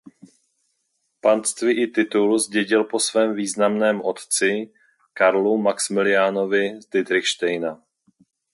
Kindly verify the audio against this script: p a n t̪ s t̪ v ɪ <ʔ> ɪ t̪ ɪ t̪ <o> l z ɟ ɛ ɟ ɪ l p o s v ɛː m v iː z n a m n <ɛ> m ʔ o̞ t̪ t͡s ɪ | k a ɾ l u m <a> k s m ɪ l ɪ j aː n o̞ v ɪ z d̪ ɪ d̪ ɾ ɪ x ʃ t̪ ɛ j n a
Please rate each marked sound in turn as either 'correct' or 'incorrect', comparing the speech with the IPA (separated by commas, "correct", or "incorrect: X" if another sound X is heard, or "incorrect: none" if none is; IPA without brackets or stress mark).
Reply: correct, incorrect: u, incorrect: ɛː, correct